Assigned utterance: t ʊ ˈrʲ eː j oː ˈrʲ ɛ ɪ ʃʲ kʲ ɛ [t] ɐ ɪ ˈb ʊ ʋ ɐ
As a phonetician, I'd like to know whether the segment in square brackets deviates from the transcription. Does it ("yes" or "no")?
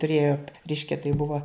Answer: no